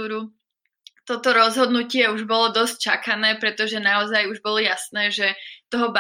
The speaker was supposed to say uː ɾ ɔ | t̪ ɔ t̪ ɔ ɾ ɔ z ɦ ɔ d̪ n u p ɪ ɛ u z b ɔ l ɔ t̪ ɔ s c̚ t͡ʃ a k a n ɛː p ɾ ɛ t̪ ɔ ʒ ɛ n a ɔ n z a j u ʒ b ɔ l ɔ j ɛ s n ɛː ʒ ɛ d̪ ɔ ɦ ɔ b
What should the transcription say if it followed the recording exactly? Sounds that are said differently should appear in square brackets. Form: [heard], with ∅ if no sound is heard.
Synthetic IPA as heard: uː ɾ [u] | t̪ ɔ t̪ ɔ ɾ ɔ z ɦ ɔ d̪ n u [c] ɪ ɛ u [ʒ] b ɔ l ɔ [d̪] ɔ s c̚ t͡ʃ a k a n ɛː p ɾ ɛ t̪ ɔ ʒ ɛ n a ɔ [∅] z a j u ʒ b ɔ l ɔ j [a] s n ɛː ʒ ɛ [t̪] ɔ ɦ ɔ b